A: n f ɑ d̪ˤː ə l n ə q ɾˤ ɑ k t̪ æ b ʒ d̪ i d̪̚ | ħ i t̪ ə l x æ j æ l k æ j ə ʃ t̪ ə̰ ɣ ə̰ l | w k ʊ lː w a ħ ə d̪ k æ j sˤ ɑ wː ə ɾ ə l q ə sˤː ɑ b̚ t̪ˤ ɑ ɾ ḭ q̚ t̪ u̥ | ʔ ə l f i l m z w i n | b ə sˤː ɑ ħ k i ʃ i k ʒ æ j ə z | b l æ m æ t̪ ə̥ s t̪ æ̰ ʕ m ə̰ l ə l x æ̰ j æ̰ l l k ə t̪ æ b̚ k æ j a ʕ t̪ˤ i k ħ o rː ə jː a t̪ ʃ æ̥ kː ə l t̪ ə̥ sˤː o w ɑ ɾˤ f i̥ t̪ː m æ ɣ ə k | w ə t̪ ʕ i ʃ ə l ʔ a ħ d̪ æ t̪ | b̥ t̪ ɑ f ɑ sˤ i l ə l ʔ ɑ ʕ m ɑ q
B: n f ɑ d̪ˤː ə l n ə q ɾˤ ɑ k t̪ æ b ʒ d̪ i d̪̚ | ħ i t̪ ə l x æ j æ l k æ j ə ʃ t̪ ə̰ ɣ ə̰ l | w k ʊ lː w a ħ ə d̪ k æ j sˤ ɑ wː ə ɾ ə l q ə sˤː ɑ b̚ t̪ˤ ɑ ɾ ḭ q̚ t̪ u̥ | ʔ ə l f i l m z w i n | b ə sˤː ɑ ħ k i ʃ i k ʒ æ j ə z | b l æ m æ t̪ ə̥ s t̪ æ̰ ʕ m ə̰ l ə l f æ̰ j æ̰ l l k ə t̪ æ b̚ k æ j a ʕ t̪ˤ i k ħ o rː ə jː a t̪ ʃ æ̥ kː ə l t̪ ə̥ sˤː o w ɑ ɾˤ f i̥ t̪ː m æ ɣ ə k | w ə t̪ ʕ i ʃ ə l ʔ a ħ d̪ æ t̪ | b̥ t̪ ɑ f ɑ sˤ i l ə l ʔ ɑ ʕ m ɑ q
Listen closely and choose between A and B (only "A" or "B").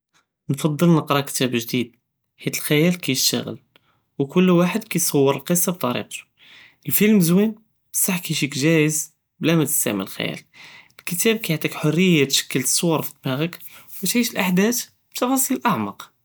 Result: A